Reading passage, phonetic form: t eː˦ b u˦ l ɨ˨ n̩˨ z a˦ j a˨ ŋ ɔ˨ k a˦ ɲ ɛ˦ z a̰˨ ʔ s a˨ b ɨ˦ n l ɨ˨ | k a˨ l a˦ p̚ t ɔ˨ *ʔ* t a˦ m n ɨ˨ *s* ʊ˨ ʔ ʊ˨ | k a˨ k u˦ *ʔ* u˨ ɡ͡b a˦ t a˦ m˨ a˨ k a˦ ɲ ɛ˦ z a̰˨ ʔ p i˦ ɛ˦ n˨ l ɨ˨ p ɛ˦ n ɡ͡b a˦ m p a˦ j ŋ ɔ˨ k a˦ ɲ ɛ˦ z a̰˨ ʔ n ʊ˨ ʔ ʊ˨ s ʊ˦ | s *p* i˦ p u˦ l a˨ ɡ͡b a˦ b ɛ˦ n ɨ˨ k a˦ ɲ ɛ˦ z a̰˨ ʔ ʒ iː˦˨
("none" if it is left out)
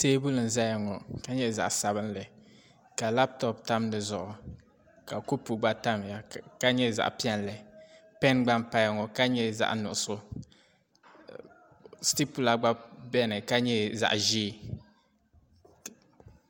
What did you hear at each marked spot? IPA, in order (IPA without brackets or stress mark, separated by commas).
p, z, p, t